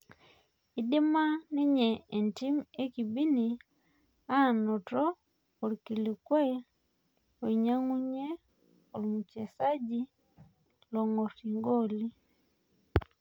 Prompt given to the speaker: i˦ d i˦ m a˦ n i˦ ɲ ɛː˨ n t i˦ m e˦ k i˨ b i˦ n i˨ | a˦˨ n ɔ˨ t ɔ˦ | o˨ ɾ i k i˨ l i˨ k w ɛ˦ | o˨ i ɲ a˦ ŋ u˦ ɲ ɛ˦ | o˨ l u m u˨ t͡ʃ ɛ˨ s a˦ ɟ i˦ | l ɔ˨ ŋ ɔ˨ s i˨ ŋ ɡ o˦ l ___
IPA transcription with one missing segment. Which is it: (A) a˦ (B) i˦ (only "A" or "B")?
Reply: B